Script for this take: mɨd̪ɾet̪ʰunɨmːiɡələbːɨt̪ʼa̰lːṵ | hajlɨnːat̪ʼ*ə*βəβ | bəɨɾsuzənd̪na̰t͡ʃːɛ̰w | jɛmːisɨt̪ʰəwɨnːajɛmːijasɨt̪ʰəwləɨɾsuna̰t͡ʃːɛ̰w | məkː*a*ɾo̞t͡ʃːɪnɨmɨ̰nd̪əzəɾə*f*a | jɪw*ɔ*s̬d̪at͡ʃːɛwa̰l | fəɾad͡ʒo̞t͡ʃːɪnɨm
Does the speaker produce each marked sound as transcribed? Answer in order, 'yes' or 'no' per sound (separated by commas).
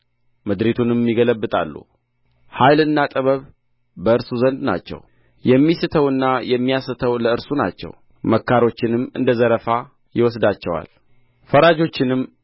yes, yes, yes, yes